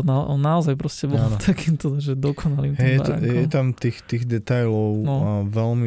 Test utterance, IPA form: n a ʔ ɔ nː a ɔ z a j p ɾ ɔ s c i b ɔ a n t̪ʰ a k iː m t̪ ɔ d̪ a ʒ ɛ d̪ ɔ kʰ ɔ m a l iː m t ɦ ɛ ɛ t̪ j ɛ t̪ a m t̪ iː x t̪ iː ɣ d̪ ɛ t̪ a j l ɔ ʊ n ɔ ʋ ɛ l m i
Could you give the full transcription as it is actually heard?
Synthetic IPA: n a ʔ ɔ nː a ɔ z a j p ɾ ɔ s c ɛ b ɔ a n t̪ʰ a k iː m t̪ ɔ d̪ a ʒ ɛ d̪ ɔ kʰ ɔ n a l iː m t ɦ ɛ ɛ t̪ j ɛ t̪ a m t̪ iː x t̪ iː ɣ d̪ ɛ t̪ a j l ɔ ʊ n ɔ ʋ ɛ l m i